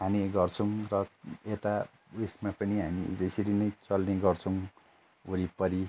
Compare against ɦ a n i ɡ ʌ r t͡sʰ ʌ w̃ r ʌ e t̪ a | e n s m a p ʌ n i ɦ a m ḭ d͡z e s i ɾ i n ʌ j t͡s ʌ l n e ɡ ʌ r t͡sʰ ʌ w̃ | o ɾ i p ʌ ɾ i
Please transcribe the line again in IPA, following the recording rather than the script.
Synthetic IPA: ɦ a n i ɡ ʌ r t͡sʰ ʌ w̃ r ʌ e t̪ a | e s m a p ʌ n i ɦ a m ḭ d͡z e s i ɾ i n ʌ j t͡s ʌ l n e ɡ ʌ r t͡sʰ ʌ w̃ | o ɾ i p ʌ ɾ i